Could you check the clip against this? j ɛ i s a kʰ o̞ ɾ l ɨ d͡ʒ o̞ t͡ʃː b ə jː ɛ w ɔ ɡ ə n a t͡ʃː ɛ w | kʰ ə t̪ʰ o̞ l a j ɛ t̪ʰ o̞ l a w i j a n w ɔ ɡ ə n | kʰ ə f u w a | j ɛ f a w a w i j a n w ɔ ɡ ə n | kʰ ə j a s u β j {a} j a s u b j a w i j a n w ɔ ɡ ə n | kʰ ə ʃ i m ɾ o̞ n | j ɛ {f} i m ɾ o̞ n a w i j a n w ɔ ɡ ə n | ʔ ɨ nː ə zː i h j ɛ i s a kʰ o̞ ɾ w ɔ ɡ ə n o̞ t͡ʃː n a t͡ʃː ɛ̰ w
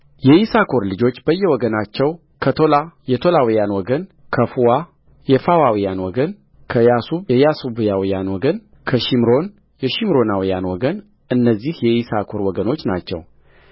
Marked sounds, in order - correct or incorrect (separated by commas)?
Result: incorrect, incorrect